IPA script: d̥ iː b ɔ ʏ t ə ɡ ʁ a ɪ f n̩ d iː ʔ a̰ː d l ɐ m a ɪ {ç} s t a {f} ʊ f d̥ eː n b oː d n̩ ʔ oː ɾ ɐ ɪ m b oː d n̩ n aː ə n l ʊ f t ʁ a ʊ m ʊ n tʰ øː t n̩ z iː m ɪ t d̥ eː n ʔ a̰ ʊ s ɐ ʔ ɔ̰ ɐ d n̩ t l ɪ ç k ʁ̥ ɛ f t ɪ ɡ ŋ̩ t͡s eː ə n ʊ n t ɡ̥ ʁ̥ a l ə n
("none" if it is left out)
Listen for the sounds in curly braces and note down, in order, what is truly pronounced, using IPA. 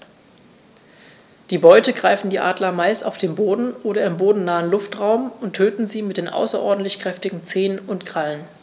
none, none

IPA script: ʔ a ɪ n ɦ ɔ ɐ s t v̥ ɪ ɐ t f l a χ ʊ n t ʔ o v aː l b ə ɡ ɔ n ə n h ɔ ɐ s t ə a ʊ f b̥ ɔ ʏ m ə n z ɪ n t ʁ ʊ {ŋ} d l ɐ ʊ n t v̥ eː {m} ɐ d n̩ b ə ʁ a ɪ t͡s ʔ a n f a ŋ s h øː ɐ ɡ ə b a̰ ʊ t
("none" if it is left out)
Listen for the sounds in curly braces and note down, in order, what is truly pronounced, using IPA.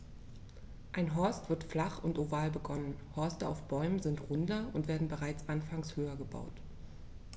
n, none

